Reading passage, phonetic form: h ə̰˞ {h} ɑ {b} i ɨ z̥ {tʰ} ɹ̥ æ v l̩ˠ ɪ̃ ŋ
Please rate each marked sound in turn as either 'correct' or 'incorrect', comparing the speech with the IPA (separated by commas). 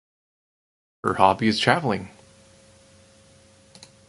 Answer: correct, correct, correct